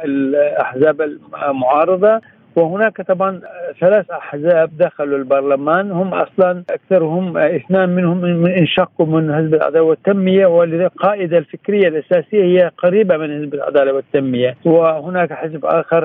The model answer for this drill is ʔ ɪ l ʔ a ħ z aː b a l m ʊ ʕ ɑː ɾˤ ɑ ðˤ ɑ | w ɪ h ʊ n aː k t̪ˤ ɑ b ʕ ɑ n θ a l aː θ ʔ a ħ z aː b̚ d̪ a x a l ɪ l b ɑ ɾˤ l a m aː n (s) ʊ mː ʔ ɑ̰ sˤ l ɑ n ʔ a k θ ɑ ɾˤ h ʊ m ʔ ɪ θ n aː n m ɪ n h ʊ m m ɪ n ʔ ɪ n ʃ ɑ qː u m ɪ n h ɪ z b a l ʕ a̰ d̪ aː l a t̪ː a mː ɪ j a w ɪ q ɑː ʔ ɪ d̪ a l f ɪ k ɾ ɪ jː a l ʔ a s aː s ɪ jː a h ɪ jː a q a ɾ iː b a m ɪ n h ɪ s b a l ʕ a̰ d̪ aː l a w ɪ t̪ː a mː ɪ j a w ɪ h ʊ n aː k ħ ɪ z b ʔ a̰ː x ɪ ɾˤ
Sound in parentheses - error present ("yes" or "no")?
yes